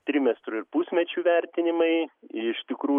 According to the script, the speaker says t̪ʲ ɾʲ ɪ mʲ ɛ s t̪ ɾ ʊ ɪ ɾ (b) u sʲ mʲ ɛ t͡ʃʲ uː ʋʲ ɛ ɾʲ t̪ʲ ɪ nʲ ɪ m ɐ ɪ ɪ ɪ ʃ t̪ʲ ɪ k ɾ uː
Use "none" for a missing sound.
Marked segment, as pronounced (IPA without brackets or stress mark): p